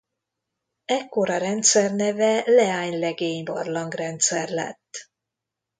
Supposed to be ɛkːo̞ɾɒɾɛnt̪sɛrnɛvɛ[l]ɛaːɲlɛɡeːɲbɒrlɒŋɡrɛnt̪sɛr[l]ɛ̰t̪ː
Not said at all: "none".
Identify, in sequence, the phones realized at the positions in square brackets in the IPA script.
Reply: l, l

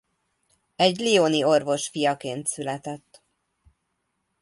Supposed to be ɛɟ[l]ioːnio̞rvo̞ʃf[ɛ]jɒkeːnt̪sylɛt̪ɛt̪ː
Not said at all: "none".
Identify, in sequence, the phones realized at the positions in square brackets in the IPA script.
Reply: l, i

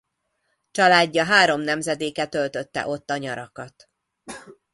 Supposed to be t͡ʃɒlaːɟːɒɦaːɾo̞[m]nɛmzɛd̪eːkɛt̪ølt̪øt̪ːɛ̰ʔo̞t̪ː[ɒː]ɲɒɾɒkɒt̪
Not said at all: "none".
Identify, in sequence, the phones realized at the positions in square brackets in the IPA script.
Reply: m, ɒ

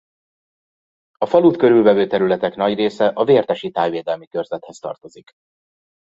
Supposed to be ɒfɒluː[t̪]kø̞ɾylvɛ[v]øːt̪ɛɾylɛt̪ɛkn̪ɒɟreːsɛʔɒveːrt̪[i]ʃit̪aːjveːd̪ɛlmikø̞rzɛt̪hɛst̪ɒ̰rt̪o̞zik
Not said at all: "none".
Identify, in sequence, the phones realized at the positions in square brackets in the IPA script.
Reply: t̪, v, ɛ

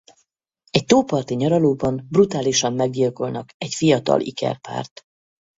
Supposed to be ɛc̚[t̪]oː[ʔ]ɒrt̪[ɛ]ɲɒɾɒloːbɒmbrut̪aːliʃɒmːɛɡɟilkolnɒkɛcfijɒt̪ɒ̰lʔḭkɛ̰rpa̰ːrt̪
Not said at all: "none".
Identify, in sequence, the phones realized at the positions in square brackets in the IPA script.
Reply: t̪, p, i

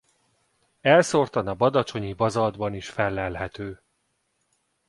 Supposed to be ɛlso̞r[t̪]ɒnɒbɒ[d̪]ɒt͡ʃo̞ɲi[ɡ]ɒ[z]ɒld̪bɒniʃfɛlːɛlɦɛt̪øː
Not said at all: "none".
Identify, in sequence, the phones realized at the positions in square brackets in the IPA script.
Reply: t̪, d̪, b, z

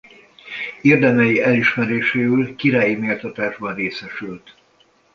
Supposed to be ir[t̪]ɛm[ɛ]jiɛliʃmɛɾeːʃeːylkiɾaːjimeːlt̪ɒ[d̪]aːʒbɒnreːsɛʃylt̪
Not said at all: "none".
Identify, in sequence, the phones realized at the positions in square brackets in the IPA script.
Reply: d̪, ɛ, t̪

